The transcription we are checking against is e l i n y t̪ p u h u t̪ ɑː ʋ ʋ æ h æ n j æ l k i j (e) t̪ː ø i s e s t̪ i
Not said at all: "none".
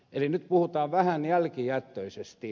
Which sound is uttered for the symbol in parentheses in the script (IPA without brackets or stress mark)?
æ